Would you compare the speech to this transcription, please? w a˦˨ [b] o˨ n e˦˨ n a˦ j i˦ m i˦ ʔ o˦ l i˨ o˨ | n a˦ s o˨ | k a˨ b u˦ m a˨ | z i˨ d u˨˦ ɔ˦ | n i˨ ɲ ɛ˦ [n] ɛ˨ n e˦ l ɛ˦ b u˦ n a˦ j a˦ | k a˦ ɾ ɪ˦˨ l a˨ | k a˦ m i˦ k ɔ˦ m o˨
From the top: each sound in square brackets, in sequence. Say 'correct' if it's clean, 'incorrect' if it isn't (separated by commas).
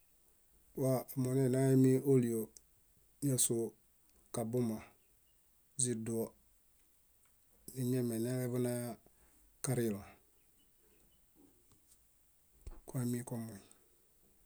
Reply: incorrect, incorrect